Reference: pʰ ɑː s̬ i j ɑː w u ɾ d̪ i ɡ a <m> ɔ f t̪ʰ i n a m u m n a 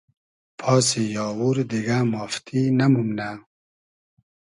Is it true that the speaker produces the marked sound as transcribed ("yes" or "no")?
yes